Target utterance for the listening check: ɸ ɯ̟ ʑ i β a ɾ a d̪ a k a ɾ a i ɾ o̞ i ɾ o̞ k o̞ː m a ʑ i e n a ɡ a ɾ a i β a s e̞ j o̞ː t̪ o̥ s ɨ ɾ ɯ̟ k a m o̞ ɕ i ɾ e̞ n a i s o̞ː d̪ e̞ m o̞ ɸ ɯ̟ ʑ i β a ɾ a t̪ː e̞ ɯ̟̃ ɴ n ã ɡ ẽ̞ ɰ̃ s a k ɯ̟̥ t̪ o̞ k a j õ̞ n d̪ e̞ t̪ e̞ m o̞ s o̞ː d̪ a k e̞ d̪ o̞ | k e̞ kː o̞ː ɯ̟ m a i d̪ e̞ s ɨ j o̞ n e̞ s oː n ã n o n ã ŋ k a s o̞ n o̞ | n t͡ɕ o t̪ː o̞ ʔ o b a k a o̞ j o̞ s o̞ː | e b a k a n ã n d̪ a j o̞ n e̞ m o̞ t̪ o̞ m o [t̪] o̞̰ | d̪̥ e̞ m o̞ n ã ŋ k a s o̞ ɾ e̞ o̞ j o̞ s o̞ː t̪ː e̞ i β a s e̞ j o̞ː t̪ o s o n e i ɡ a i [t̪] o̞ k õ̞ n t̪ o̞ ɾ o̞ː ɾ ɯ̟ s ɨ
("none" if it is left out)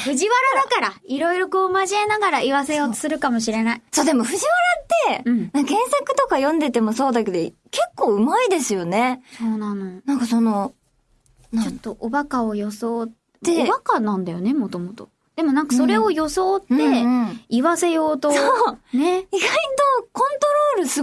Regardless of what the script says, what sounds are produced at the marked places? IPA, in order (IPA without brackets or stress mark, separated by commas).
t̪, t̪